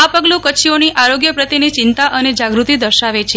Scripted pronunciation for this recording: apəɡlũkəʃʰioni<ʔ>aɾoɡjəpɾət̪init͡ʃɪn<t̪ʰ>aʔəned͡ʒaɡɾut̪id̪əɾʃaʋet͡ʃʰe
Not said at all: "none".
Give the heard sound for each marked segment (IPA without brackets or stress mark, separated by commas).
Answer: ʔ, t̪